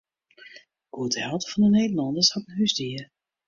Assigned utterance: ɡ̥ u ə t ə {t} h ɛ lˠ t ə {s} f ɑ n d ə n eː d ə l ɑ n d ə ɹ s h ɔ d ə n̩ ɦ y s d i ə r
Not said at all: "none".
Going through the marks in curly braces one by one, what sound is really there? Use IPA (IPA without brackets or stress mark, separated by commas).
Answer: none, none